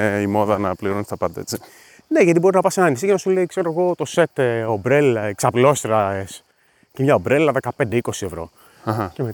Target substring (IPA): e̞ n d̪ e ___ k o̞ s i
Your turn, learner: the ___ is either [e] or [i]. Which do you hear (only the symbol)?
i